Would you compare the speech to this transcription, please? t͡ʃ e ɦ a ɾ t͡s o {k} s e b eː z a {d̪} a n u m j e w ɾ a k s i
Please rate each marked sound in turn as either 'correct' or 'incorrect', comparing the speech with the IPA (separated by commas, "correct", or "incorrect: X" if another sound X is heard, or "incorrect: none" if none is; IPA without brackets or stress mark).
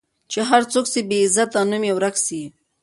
correct, incorrect: t̪